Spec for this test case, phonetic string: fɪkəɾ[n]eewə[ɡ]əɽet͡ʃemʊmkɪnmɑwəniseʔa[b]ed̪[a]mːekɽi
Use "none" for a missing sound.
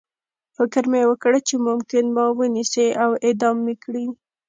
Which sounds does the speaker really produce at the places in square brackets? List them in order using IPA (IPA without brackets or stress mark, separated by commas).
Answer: m, k, w, ɑ